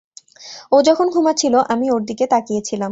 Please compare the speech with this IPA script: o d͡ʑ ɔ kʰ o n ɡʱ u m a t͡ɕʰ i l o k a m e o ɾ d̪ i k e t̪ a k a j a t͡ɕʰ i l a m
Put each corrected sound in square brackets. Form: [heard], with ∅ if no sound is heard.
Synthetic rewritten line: o d͡ʑ ɔ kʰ o n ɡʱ u m a t͡ɕʰ i l o [ʔ] a m [i] o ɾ d̪ i k e t̪ a k [i] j [e] t͡ɕʰ i l a m